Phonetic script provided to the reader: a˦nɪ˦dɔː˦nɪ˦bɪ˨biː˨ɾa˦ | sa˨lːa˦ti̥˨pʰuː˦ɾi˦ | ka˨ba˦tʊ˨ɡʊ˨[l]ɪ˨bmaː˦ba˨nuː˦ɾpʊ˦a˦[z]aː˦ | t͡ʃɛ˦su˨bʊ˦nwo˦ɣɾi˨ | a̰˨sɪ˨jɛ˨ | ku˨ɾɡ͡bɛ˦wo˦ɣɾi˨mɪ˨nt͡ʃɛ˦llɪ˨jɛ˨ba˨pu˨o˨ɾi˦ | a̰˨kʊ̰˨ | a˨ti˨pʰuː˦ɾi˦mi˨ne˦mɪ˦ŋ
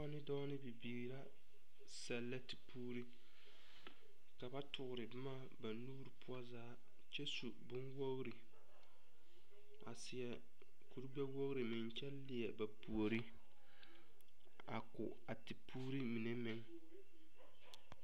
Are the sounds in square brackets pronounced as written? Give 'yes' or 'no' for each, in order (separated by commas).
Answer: no, yes